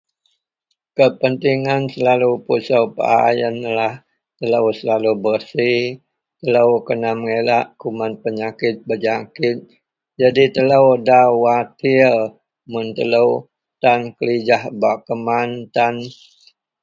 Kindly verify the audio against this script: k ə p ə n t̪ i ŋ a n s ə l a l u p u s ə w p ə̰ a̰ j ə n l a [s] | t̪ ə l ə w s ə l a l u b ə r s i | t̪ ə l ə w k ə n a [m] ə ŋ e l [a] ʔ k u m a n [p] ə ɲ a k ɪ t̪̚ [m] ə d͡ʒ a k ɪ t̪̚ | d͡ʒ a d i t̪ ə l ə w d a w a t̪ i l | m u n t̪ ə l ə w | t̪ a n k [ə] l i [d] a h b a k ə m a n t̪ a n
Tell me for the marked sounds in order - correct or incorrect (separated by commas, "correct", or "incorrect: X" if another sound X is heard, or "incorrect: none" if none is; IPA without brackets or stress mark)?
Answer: incorrect: h, correct, correct, correct, incorrect: b, correct, incorrect: d͡ʒ